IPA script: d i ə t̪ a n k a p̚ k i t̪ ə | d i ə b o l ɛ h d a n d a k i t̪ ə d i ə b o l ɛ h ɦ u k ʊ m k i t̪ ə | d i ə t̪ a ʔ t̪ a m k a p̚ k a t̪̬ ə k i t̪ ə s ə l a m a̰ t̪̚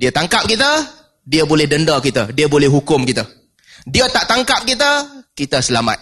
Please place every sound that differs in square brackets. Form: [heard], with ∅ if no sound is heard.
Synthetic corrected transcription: d i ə t̪ a [ŋ] k a p̚ k i t̪ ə | d i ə b o l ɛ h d [ə] n d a k i t̪ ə d i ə b o l ɛ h ɦ u k ʊ m k i t̪ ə | d i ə t̪ a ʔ t̪ a [ŋ] k a p̚ k [i] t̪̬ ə k i t̪ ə s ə l a m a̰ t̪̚